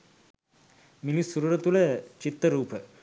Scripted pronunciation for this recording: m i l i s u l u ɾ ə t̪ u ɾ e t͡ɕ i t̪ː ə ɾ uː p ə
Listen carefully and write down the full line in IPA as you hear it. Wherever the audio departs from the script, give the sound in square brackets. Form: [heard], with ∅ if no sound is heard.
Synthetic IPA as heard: m i l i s u [ɾ] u ɾ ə t̪ u [l] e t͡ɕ i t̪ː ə ɾ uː p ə